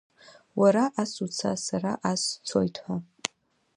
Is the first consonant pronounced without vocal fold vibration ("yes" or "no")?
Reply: no